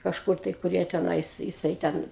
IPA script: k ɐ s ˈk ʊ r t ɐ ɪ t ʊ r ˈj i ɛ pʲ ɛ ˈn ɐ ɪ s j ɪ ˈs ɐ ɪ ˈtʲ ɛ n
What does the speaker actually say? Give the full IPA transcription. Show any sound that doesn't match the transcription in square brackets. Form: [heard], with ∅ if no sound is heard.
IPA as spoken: k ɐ [ʃ] ˈk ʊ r t ɐ ɪ [k] ʊ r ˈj i ɛ [tʲ] ɛ ˈn ɐ ɪ s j ɪ ˈs ɐ ɪ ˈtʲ ɛ n